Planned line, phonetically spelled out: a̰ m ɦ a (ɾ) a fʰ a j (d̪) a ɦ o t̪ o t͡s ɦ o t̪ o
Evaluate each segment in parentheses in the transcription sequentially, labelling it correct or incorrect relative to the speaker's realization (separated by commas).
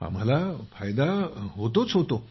incorrect, correct